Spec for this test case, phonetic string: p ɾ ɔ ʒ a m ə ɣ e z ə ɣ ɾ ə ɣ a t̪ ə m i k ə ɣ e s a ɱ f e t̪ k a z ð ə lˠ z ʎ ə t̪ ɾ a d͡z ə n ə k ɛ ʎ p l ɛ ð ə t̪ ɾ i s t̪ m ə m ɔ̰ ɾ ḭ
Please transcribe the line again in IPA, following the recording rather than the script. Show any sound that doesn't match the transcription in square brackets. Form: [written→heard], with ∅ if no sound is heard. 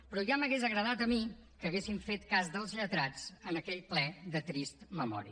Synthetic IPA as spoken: p ɾ ɔ ʒ a m ə ɣ e z ə ɣ ɾ ə [ɣ→ð] a t̪ ə m i k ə ɣ e s [a→i] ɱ f e t̪ k a z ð ə lˠ z ʎ ə t̪ ɾ a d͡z ə n ə k ɛ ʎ p l ɛ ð ə t̪ ɾ i s t̪ m ə m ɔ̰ ɾ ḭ

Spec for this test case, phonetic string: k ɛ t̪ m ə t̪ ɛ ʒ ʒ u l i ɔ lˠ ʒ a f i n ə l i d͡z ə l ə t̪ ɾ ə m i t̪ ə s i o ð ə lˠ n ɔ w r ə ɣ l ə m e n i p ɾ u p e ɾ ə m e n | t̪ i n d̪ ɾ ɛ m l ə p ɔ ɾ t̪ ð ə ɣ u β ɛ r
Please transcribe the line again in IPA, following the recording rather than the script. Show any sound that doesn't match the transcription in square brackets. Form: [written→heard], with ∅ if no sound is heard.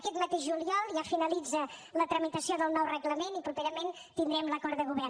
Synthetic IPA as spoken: k ɛ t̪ m ə t̪ [ɛ→e] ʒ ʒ u l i ɔ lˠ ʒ a f i n ə l i d͡z ə l ə t̪ ɾ ə m i t̪ ə s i o ð ə lˠ n ɔ w r ə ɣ l ə m e n i p ɾ u p e ɾ ə m e n | t̪ i n d̪ ɾ ɛ m l ə [p→k] ɔ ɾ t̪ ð ə ɣ u β ɛ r

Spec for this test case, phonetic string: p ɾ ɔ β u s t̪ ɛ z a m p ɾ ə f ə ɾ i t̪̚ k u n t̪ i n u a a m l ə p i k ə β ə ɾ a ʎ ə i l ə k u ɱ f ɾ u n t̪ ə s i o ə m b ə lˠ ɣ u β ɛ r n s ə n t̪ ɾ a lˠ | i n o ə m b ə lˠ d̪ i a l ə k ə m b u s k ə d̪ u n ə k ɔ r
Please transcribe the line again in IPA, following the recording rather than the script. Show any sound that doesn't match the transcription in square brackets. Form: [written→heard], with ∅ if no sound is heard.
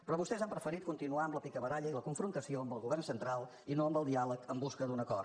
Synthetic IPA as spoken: p ɾ ɔ β u s t̪ ɛ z a m p ɾ ə f ə ɾ i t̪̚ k u n t̪ i n u a [a→ə] m l ə p i k ə β ə ɾ a ʎ ə i l ə k u ɱ f ɾ u n t̪ ə s i o ə m b ə lˠ ɣ u β ɛ r n s ə n t̪ ɾ a lˠ | i n o ə m b ə lˠ d̪ i a l ə k ə m b u s k ə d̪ u n ə k ɔ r

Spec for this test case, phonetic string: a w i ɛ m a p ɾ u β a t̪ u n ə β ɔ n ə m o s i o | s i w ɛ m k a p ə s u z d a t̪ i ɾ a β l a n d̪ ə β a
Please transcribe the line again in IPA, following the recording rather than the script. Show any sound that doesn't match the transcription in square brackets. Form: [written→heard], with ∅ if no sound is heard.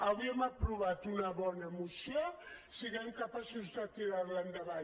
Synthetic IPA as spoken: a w i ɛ m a p ɾ u β a t̪ u n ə β ɔ n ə m [o→u] s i o | s i [w→ɣ] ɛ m k a p [ə→a] s u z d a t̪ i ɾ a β l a n d̪ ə β a

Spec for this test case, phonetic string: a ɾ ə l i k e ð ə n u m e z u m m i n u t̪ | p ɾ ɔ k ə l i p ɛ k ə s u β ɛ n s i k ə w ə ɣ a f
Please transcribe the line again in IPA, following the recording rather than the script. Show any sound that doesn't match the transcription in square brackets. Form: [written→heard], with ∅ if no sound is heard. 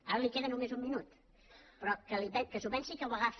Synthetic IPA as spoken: a ɾ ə l i k e ð ə n u m e z u m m i n u t̪ | p ɾ ɔ k ə l i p ɛ k ə s u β ɛ n s i k ə w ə ɣ a f

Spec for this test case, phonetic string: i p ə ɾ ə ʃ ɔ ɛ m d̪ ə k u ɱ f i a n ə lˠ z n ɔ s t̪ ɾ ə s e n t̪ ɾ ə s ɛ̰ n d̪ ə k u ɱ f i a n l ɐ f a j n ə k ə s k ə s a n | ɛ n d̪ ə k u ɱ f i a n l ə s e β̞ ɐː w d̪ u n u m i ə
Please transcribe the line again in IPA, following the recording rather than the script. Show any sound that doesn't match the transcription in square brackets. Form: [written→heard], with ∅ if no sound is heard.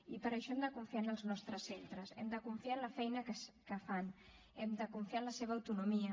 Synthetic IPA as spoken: i p ə ɾ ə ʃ ɔ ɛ m d̪ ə k u ɱ f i a n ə lˠ z n ɔ s t̪ ɾ ə s e n t̪ ɾ ə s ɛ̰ [n→m] d̪ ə k u ɱ f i a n l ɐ f [a→ɛ] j n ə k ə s k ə [s→f] a n | ɛ [n→m] d̪ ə k u ɱ f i a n l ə s e β̞ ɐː w [d̪→t̪] u n u m i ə

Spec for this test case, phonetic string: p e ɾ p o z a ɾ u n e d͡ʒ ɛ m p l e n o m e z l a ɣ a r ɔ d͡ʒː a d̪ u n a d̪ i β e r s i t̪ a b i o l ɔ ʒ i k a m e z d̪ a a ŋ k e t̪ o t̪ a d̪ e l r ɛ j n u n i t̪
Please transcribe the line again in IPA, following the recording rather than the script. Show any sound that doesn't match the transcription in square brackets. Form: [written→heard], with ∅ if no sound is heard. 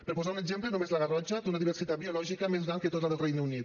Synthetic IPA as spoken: p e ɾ p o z a ɾ u n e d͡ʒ ɛ m p l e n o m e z l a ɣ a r ɔ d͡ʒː a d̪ u n a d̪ i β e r s i t̪ a b i o l ɔ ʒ i k a m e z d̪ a a ŋ k e t̪ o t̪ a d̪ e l r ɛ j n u n i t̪

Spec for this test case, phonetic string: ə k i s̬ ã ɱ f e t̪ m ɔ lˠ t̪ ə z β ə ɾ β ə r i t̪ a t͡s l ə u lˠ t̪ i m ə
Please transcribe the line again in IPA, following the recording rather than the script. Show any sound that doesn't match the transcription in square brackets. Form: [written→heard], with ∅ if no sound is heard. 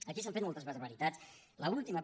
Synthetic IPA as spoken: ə k i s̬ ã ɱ f e t̪ m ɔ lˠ t̪ ə z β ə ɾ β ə [r→ɾ] i t̪ a t͡s l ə u lˠ t̪ i m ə

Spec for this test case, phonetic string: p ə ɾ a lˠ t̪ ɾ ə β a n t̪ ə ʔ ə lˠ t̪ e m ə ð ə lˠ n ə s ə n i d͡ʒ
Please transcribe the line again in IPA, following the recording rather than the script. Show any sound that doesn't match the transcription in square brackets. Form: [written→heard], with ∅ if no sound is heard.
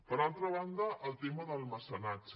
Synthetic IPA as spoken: p ə ɾ a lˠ t̪ ɾ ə β a n [t̪→d̪] ə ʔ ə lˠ t̪ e m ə ð ə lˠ [n→m] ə s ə n [i→a] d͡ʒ

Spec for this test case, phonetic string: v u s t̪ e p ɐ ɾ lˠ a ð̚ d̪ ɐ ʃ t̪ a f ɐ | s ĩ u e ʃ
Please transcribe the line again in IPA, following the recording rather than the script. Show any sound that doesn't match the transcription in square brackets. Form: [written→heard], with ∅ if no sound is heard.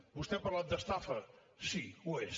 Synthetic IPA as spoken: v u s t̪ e p ɐ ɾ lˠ a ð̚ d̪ ɐ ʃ t̪ a f ɐ | s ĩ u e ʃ

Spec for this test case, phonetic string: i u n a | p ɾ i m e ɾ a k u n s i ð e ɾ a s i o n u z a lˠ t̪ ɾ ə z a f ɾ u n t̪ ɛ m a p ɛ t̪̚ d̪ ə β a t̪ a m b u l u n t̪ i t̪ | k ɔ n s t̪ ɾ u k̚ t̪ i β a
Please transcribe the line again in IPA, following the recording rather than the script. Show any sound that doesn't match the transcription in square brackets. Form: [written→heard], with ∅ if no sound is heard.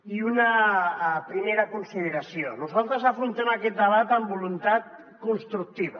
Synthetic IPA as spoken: i u n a | p ɾ i m e ɾ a k u n s i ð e ɾ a s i o n u z a lˠ t̪ ɾ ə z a f ɾ u n t̪ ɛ m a [p→k] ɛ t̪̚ d̪ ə β a t̪ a m b u l u n t̪ [i→a] t̪ | k [ɔ→u] n s t̪ ɾ u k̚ t̪ i β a

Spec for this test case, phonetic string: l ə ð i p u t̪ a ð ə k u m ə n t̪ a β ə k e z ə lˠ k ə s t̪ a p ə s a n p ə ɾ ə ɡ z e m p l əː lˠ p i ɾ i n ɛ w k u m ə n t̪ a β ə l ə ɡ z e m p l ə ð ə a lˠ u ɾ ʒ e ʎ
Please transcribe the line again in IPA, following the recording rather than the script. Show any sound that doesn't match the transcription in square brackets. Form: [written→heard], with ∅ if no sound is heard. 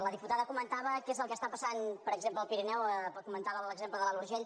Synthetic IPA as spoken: l ə ð i p u t̪ a ð ə k u m ə n t̪ a β ə k e z ə lˠ k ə s t̪ a p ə s a n p ə ɾ ə ɡ z e m p l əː lˠ p i ɾ i n ɛ w k u m ə n t̪ a β ə l ə ɡ z e m p l ə ð ə a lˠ u ɾ ʒ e ʎ

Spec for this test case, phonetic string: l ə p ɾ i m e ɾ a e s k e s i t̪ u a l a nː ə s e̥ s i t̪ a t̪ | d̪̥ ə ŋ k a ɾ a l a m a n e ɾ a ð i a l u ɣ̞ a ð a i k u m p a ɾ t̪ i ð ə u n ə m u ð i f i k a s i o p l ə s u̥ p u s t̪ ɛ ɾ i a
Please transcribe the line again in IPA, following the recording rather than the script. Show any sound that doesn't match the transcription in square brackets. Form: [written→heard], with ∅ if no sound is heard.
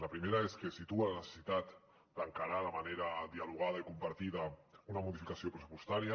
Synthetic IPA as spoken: l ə p ɾ i m e ɾ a e s k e s i t̪ u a l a [nː→n] ə s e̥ s i t̪ a t̪ | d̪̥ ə ŋ k a ɾ a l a m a n e ɾ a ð i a l u ɣ̞ a ð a i k u m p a ɾ t̪ i ð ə u n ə m u ð i f i k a s i o p [l→ɾ] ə s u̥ p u s t̪ [ɛ→a] ɾ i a

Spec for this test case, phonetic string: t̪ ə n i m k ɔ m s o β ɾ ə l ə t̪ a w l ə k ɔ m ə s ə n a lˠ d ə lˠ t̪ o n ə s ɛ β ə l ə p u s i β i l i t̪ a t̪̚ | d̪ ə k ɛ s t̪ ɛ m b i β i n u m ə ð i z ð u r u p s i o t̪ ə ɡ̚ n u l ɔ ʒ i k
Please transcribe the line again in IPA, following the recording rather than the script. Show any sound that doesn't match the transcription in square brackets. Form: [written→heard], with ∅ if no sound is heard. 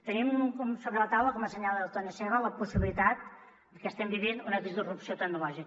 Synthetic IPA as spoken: t̪ ə n i m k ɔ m s o β ɾ ə l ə t̪ a w l ə k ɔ m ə s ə [n→ɲ] a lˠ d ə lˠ t̪ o n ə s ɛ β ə l ə p u s i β i l i t̪ a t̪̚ | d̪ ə k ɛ s t̪ ɛ m b i β i n u [m→n] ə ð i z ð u r u p s i o t̪ ə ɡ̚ n u l ɔ ʒ i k

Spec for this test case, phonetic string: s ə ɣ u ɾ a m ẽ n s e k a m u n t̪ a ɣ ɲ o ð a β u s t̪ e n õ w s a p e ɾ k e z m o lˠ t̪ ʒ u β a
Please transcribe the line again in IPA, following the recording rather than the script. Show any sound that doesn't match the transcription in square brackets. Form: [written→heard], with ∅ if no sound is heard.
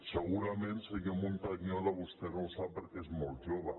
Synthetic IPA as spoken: s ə ɣ u ɾ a m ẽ n s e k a m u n t̪ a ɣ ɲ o ð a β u s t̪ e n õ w s a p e ɾ k e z m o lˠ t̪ ʒ [u→o] β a

